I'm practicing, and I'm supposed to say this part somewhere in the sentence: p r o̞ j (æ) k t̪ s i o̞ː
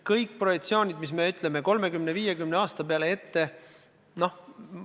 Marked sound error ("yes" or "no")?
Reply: yes